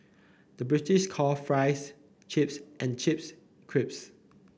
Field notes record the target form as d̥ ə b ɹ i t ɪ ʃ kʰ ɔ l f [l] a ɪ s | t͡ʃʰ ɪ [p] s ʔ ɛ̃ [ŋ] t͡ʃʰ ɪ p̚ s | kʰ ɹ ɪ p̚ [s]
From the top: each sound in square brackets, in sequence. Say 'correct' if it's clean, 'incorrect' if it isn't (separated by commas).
incorrect, correct, incorrect, correct